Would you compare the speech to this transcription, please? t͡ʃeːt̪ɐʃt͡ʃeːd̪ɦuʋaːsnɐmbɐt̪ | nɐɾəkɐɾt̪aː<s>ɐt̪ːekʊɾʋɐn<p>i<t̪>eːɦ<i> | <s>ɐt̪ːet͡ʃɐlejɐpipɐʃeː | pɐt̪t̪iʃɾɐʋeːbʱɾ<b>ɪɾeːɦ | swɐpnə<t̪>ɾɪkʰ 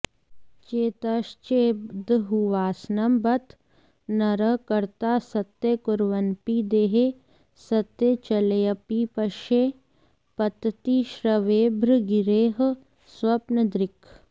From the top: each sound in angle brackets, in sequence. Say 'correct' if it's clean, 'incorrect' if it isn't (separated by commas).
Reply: correct, correct, incorrect, incorrect, correct, incorrect, incorrect